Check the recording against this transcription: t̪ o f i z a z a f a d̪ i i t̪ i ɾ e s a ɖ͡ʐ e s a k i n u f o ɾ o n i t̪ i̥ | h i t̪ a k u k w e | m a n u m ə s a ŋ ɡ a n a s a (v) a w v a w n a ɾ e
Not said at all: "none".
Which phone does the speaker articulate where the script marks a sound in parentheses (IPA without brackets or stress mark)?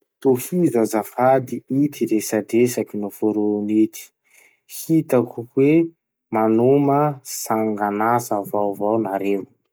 v